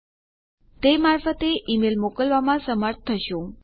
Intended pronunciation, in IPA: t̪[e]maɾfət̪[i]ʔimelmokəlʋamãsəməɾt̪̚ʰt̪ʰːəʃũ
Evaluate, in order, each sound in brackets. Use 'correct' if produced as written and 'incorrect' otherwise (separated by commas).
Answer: correct, incorrect